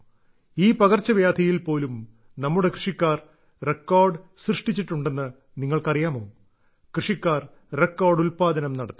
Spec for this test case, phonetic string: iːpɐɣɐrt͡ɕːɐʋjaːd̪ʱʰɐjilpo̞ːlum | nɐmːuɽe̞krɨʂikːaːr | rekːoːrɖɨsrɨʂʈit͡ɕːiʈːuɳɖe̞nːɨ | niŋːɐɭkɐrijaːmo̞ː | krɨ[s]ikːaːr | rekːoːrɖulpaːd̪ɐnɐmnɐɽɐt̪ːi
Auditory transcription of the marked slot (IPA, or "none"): ʂ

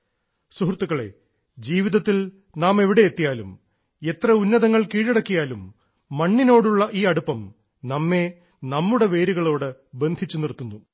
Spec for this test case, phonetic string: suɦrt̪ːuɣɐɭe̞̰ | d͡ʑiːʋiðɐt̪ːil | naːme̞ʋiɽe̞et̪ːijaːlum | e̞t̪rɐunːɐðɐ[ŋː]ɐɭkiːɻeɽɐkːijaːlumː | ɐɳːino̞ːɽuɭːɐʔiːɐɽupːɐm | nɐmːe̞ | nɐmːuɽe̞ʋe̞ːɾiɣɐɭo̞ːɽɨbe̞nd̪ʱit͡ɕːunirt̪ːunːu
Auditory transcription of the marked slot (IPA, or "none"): ŋː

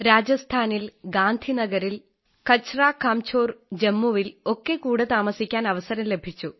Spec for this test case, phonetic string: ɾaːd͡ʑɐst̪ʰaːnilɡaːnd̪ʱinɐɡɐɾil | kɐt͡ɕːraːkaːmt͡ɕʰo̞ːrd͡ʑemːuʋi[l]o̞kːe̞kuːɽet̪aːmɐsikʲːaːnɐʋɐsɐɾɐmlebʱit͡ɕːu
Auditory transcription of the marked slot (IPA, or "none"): l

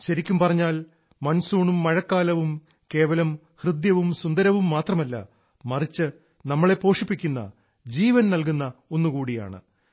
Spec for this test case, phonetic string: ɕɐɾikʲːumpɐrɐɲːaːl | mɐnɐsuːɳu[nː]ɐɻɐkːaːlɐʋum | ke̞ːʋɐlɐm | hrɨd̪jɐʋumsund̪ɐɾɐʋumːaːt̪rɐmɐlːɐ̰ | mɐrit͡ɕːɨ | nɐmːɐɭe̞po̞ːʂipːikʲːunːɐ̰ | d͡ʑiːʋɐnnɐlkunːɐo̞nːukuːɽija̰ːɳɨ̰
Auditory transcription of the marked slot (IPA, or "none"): mː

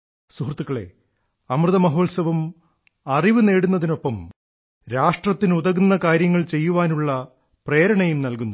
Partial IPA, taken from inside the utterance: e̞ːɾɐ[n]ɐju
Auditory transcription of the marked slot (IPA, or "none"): ɳ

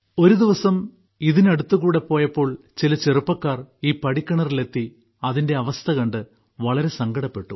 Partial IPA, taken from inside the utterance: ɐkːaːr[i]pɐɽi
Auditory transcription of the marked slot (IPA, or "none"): iː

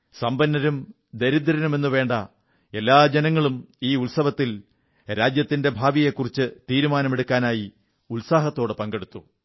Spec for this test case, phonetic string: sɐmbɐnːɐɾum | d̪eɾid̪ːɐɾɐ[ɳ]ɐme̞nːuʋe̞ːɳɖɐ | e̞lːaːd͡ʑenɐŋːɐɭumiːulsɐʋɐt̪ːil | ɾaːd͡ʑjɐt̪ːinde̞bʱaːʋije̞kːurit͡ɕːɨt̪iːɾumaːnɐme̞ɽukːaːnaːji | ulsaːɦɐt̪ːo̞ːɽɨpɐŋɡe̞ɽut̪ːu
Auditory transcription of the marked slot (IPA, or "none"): n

